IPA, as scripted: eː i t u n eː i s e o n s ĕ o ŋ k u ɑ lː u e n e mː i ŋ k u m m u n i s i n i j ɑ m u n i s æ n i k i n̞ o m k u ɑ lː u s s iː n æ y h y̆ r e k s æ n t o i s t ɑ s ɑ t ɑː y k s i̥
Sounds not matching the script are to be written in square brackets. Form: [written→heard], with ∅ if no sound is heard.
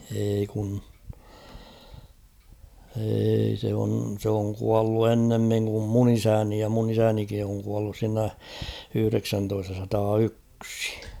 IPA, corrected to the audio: eː i [t→k] u n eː i s e o n s ĕ o ŋ k u ɑ lː u e [n→nː] e mː i ŋ k u m m u n i s [i→æ] n i j ɑ m u n i s æ n i k i n̞ o [m→ŋ] k u ɑ lː u s s iː n æ y h y̆ r e k s æ n t o i s t ɑ s ɑ t ɑː y k s i̥